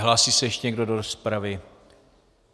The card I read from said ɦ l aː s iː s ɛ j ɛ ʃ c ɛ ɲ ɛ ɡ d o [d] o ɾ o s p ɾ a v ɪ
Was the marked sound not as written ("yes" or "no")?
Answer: no